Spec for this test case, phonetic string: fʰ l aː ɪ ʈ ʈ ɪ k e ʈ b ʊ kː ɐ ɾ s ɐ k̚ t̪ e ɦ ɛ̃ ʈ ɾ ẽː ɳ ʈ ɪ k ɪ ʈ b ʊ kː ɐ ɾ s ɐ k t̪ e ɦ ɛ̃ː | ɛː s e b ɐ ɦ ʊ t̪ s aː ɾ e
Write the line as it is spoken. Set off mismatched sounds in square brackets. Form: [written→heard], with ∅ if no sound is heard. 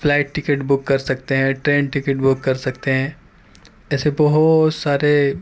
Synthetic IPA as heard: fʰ l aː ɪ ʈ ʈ ɪ k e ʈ b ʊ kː ɐ ɾ s ɐ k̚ t̪ e ɦ ɛ̃ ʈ ɾ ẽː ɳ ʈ ɪ k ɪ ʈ b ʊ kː ɐ ɾ s ɐ k t̪ e ɦ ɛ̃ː | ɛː s e b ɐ ɦ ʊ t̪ s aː ɾ e

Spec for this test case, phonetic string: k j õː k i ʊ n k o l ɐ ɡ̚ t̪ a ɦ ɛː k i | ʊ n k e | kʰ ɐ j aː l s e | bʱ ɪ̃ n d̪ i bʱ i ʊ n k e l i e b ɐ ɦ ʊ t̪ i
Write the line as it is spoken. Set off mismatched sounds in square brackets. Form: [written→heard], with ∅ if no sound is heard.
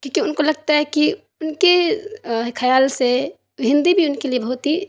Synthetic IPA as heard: k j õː k i ʊ n k o l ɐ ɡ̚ t̪ a ɦ [ɛː→ɛ] k i | ʊ n k e | kʰ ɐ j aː l s e | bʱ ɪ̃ n d̪ i bʱ i ʊ n k e l i e b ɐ ɦ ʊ t̪ i

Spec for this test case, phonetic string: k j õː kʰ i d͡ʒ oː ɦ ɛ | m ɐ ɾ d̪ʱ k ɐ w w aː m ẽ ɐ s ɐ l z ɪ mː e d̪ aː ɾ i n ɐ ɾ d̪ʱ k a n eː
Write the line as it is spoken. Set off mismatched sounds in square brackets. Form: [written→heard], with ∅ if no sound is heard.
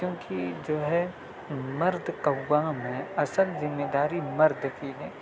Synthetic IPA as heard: k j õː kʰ i d͡ʒ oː ɦ ɛ | m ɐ ɾ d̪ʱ k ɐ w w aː m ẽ ɐ s [ɐ→ə] l z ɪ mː e d̪ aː ɾ i [n→m] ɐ ɾ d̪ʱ k [a→i] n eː

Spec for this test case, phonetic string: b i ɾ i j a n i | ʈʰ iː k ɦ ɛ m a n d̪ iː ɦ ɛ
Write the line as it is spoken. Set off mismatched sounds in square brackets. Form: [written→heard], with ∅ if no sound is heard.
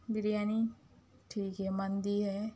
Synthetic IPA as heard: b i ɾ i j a n i | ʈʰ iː k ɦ ɛ m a n d̪ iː ɦ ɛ

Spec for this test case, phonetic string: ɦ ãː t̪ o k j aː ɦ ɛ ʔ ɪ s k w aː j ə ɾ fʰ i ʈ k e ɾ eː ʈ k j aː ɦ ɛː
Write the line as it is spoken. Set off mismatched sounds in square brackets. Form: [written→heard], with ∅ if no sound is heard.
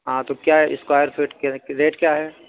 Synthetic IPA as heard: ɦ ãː t̪ o k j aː ɦ ɛ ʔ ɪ s k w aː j ə ɾ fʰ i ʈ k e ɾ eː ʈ k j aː ɦ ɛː

